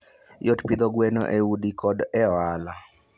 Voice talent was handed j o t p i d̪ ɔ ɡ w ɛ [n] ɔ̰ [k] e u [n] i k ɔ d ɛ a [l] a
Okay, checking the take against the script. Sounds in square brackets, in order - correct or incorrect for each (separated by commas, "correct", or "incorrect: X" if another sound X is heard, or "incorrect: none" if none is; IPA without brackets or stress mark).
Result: correct, incorrect: ʔ, incorrect: d, correct